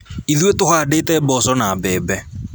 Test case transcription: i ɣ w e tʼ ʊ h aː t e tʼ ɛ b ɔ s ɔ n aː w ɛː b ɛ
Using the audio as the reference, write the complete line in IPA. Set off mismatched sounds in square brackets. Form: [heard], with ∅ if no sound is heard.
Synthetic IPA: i [ð] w e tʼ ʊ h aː [d] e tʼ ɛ b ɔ s ɔ n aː [b] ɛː b ɛ